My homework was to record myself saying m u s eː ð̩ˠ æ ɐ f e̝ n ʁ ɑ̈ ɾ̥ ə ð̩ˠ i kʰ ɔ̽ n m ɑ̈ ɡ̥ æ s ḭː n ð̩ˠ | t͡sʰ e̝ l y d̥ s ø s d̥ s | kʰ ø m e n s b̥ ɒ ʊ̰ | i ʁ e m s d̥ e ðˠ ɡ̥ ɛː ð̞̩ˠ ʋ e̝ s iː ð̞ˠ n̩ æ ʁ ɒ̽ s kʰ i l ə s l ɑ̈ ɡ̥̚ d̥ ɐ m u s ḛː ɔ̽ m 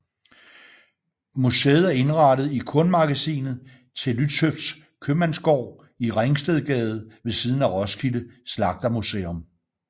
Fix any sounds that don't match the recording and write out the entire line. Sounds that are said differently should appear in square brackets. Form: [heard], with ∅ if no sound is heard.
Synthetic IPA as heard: m u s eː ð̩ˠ æ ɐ [∅] e̝ n ʁ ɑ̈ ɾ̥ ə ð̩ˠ i kʰ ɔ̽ n m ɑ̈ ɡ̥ æ s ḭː n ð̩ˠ | t͡sʰ e̝ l y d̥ s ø [f] d̥ s | kʰ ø m [æ] n s [ɡ̥] ɒ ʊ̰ | i ʁ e [ŋ] s d̥ e ðˠ ɡ̥ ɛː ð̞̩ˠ ʋ e̝ s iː ð̞ˠ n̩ æ ʁ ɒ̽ s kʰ i l ə s l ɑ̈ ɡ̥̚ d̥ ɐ m u s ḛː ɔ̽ m